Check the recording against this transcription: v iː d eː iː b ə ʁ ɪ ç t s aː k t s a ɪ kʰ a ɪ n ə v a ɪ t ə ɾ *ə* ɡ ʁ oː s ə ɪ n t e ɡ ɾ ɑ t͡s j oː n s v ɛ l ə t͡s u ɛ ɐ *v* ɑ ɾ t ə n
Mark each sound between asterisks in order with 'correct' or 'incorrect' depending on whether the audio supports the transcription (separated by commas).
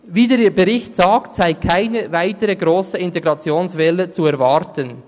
correct, correct